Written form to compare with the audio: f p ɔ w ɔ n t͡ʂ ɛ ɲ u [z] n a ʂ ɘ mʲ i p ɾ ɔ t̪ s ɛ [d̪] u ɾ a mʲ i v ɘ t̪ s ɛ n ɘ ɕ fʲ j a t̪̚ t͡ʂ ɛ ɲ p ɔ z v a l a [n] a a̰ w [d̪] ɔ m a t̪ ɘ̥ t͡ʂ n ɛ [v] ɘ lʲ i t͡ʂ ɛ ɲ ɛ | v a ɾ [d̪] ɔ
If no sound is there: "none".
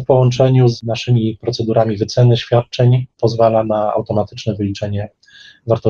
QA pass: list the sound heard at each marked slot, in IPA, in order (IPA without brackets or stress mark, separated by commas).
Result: z, d̪, n, t̪, v, t̪